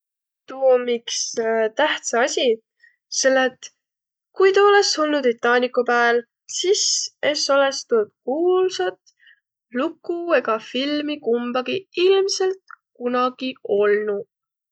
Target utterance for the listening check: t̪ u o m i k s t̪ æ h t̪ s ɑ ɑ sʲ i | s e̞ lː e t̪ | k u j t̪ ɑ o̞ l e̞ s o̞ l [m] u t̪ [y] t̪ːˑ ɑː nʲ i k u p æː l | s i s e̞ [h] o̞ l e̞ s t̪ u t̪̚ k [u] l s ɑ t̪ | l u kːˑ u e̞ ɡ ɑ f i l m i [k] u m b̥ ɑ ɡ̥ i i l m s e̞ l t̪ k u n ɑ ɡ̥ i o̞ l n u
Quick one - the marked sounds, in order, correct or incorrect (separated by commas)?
incorrect, incorrect, incorrect, incorrect, correct